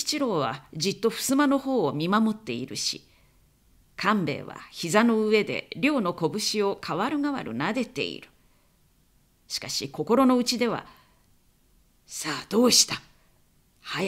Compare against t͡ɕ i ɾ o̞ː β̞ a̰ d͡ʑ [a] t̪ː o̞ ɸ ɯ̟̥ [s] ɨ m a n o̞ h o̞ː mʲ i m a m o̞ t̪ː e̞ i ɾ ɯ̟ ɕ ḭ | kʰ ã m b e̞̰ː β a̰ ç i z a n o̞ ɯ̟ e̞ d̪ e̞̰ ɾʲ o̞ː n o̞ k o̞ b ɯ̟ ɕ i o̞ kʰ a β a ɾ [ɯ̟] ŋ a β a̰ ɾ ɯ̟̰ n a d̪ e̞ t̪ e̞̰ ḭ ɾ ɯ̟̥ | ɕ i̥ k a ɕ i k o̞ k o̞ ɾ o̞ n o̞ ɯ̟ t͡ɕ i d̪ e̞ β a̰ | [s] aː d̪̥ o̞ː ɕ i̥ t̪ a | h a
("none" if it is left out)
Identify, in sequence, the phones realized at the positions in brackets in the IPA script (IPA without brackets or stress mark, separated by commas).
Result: i, s, ɯ̟, s